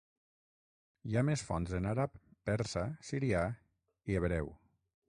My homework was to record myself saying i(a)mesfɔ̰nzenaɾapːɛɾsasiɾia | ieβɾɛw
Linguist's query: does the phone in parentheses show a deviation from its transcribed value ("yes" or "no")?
no